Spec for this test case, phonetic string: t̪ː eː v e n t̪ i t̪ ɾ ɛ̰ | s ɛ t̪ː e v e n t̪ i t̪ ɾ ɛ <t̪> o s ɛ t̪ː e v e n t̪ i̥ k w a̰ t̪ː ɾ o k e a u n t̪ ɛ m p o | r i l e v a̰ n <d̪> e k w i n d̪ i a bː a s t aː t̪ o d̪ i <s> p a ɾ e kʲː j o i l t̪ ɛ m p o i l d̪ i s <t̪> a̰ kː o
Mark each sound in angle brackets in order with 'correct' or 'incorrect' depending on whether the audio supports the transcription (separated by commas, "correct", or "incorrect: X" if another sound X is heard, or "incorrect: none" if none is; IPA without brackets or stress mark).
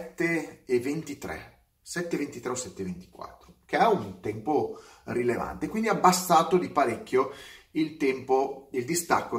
incorrect: none, incorrect: t̪, incorrect: none, correct